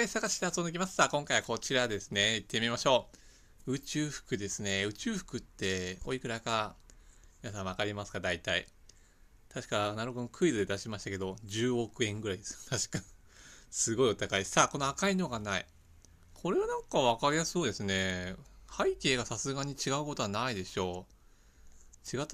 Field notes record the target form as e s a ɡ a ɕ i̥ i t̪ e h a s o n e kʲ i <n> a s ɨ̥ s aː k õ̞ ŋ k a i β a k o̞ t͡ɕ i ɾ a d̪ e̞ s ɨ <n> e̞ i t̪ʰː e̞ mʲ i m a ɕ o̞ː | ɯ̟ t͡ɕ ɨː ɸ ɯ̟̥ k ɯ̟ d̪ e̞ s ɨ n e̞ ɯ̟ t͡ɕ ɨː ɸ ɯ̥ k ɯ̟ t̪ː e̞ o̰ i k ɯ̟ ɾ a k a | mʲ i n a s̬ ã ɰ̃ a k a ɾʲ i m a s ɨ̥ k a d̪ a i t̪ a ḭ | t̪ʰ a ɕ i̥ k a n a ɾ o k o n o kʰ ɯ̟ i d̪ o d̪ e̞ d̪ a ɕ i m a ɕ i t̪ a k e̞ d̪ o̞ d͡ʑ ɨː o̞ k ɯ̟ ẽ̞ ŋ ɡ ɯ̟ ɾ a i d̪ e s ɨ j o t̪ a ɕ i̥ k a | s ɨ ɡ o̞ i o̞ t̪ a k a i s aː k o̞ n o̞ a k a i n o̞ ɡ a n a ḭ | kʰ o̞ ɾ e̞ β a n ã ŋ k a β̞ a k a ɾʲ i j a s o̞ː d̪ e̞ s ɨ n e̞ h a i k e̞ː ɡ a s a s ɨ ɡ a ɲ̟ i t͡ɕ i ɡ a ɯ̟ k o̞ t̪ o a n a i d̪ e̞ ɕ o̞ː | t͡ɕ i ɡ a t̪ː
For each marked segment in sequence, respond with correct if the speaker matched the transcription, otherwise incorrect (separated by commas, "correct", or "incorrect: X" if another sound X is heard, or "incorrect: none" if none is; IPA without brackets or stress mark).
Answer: incorrect: m, correct